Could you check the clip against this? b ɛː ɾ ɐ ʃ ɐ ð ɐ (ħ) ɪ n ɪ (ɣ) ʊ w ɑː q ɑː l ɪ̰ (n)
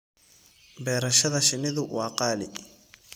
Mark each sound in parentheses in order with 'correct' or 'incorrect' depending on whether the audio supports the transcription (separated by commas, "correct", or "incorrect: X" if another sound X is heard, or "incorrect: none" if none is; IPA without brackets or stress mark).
incorrect: ʃ, incorrect: ð, incorrect: none